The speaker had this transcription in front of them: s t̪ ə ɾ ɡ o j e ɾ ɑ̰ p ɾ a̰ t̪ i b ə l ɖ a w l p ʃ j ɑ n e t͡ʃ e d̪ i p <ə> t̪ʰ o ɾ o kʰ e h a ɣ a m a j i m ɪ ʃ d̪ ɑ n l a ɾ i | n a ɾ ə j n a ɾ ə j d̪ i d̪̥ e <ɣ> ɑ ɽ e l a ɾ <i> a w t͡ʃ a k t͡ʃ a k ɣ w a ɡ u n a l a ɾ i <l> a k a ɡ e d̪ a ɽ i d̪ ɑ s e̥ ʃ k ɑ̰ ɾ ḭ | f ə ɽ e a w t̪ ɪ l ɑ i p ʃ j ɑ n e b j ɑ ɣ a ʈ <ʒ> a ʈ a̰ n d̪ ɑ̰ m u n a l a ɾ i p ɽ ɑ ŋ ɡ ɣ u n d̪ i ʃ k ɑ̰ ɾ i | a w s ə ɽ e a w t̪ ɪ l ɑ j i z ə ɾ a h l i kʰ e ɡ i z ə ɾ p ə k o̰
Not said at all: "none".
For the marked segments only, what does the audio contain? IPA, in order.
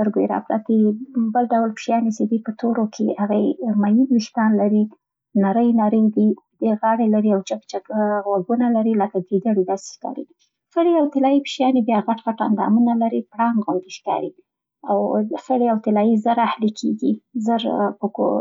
ə, ɣ, i, l, ɣ

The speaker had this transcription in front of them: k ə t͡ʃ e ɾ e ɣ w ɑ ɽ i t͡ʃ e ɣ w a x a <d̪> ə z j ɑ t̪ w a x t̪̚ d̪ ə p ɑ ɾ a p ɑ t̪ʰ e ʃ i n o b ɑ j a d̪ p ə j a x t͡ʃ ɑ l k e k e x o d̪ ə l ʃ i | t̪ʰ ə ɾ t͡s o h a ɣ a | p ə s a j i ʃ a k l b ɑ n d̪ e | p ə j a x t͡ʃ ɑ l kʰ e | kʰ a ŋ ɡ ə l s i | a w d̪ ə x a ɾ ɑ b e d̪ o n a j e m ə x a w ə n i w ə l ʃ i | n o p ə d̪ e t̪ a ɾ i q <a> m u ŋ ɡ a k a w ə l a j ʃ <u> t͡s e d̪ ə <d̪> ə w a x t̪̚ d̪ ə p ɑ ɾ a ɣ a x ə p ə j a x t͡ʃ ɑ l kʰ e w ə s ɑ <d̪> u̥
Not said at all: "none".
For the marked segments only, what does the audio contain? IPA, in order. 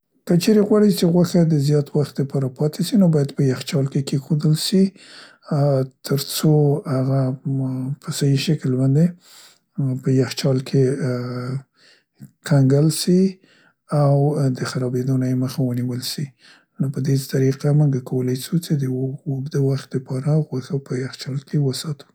d̪, a, u, d̪, t̪

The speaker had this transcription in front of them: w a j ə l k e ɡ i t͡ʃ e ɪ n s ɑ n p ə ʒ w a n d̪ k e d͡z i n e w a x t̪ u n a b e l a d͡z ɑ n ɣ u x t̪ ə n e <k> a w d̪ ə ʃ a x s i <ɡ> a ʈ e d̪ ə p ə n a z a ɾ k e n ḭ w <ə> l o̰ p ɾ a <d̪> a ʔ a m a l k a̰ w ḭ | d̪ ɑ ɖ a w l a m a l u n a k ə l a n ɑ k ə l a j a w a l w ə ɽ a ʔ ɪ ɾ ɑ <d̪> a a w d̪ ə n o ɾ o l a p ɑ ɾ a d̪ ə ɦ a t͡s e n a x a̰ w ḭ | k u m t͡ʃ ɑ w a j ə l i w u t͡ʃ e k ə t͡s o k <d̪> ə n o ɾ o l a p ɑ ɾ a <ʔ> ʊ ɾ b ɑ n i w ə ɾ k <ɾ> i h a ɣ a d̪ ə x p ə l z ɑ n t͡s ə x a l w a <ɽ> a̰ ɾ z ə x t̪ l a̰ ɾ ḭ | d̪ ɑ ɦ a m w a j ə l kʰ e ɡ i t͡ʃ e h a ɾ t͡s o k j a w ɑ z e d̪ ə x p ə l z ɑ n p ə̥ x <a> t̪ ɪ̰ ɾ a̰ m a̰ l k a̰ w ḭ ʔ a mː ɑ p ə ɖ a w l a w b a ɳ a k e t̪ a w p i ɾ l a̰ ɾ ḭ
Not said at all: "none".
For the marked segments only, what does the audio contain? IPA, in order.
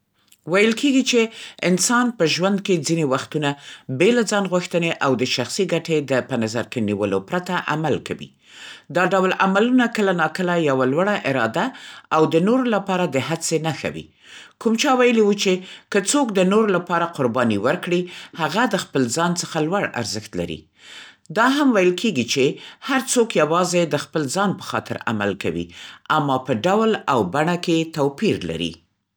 ʔ, ɡ, ə, t̪, d̪, d̪, q, ɽ, ɽ, ɑ

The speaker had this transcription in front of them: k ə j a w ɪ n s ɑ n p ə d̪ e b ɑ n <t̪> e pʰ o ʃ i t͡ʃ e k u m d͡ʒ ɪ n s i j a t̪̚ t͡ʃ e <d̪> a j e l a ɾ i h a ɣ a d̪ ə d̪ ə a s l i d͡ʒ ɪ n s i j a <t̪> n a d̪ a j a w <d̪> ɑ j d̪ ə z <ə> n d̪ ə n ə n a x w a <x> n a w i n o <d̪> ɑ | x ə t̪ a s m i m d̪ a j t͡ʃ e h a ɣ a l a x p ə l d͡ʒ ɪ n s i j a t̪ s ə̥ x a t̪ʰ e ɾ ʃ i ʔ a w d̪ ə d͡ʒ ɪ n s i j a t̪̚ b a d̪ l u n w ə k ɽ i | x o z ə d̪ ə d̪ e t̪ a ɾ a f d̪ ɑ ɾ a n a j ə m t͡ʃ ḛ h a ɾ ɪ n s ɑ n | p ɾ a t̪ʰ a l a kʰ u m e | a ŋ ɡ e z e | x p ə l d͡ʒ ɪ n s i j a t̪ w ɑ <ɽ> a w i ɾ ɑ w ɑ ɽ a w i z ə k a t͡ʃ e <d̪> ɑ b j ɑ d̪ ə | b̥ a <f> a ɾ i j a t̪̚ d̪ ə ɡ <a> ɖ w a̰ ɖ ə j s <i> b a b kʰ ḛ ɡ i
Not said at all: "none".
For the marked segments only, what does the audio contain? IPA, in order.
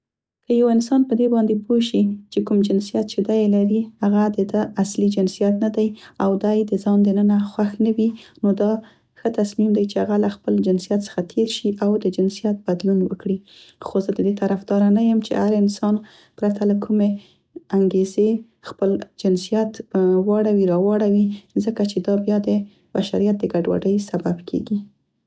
d̪, d̪, t̪, d̪, ɑ, x, d̪, ɽ, d̪, ʃ, a, a

